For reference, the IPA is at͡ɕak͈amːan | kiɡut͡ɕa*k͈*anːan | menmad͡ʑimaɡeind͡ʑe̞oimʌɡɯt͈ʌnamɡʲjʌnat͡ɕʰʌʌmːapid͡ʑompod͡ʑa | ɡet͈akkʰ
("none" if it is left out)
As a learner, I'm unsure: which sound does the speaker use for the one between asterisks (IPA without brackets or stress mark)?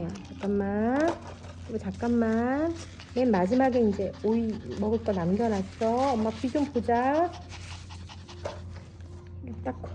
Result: k͈